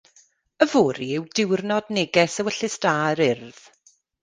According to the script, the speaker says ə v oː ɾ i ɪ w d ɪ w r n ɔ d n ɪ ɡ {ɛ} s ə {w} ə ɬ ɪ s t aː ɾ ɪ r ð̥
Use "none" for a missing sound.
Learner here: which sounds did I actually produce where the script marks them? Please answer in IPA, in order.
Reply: ɛ, w

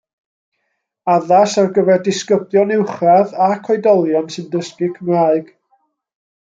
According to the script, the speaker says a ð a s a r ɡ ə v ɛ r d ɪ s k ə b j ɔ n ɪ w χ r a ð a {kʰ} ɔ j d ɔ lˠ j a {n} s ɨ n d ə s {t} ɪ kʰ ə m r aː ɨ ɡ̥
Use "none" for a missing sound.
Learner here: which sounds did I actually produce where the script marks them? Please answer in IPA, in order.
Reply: kʰ, n, k

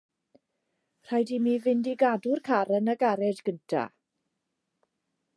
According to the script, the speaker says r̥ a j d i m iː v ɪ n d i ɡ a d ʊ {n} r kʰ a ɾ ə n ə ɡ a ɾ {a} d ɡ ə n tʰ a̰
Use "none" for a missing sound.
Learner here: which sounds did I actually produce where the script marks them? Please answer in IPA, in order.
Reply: none, ɛ

